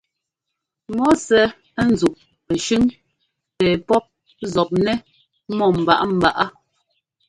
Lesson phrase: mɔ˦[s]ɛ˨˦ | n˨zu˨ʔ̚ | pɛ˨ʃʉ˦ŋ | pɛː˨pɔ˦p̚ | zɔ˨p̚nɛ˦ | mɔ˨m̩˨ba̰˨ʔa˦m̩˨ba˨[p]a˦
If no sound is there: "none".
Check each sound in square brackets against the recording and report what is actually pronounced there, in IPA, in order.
s, ʔ

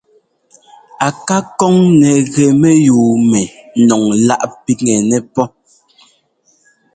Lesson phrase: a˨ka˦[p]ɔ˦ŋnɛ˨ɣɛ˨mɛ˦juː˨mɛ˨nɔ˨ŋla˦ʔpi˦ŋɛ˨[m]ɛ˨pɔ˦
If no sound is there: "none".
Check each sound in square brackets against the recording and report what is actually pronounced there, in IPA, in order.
k, n

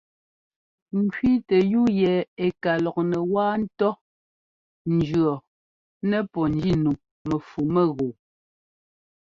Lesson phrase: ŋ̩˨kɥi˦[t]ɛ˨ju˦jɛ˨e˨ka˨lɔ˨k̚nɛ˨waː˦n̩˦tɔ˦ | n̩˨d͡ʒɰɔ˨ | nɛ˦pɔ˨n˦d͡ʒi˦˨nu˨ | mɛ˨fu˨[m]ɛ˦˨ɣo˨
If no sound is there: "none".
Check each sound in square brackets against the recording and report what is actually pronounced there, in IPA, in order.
t, m

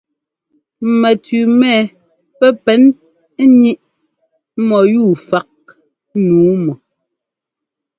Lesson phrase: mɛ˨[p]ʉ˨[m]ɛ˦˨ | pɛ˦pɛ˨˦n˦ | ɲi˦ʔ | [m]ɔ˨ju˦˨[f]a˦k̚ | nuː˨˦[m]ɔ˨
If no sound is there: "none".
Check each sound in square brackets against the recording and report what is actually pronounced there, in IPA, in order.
t, m, m, f, m

